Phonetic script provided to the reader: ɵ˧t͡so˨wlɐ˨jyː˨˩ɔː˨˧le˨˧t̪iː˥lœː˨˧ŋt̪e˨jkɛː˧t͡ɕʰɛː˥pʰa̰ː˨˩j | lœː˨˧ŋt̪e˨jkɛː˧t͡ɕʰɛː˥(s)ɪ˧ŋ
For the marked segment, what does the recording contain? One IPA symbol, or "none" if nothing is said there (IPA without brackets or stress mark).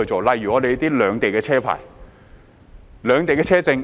t͡s